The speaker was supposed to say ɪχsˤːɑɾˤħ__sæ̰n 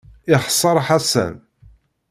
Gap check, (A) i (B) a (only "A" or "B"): B